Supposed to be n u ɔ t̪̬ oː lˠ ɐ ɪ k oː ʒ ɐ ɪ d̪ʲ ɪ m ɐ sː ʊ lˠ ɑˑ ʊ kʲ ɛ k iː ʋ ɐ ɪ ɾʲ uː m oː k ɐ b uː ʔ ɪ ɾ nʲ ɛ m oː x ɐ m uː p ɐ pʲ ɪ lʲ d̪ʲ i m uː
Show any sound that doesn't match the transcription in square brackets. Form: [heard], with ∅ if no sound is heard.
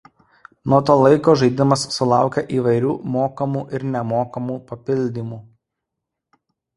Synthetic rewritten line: n u ɔ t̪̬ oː lˠ ɐ ɪ k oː ʒ ɐ ɪ d̪ʲ ɪ m ɐ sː ʊ lˠ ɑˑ ʊ kʲ ɛ [ʔ] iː ʋ ɐ ɪ ɾʲ uː m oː k ɐ [m] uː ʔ ɪ ɾ nʲ ɛ m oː [k] ɐ m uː p ɐ pʲ ɪ lʲ d̪ʲ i m uː